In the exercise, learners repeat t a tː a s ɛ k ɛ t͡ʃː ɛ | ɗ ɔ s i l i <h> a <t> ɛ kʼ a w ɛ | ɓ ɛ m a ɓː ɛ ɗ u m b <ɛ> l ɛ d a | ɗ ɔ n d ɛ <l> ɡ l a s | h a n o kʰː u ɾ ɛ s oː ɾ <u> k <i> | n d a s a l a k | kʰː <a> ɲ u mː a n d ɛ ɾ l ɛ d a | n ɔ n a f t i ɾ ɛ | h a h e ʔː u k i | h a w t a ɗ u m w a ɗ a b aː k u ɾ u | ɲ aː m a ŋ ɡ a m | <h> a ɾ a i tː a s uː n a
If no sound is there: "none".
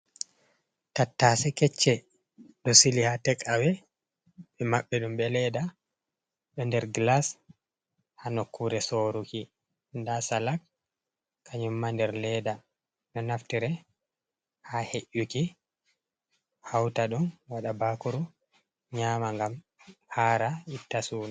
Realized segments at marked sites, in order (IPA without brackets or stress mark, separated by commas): h, t, ɛ, ɾ, u, i, a, h